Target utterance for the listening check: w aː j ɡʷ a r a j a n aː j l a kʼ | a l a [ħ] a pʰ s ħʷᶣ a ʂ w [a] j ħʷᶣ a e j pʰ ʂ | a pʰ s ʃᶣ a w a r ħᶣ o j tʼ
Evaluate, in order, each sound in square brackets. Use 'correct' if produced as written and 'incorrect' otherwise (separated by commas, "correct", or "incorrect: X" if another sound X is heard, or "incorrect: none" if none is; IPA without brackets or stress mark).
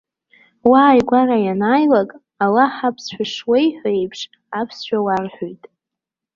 correct, incorrect: e